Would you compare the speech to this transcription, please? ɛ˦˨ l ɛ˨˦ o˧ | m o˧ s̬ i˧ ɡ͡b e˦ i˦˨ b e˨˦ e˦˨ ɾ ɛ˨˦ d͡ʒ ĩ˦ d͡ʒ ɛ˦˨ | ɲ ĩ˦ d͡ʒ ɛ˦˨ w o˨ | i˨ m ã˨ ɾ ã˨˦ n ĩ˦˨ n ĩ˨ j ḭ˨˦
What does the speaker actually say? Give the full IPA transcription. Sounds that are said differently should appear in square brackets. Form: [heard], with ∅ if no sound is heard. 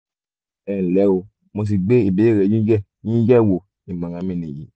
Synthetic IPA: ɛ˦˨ l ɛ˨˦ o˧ | m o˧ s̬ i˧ ɡ͡b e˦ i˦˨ b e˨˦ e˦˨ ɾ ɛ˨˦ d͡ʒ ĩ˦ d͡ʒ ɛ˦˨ | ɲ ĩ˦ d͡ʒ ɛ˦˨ w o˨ | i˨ m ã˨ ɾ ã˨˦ [m] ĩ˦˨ n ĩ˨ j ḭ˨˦